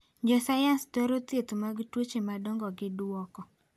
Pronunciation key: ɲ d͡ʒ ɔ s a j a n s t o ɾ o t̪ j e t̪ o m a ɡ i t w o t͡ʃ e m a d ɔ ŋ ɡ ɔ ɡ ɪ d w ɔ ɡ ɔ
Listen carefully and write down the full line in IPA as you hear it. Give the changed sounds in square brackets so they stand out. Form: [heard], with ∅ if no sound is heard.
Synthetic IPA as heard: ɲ d͡ʒ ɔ s a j a n s t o ɾ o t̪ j e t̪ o m a ɡ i t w o t͡ʃ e m a d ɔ ŋ ɡ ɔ ɡ ɪ d w ɔ [k] ɔ